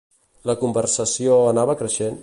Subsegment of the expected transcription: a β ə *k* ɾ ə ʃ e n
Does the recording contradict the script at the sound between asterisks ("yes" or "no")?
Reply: no